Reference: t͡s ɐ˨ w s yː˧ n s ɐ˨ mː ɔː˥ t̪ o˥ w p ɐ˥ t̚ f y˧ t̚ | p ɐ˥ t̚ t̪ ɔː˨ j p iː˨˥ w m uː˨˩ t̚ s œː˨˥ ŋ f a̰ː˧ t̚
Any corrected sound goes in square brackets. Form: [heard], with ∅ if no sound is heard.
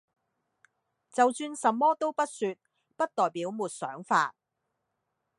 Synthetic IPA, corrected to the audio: t͡s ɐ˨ w s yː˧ n s ɐ˨ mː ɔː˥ t̪ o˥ w p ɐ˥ t̚ [s] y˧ t̚ | p ɐ˥ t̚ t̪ ɔː˨ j p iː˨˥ w m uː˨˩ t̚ s œː˨˥ ŋ f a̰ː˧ t̚